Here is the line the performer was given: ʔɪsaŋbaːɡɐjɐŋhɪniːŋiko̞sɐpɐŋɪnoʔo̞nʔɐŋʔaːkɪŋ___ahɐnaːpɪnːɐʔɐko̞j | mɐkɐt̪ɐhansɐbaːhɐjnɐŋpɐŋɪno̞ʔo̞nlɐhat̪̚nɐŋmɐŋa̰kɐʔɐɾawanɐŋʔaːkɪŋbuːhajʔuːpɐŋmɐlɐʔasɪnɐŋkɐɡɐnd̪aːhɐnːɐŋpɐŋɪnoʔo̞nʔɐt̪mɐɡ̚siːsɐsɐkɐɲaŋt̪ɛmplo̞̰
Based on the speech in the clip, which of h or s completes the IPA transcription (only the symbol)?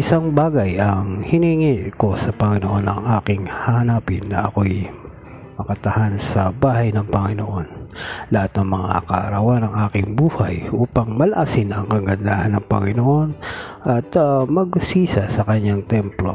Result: h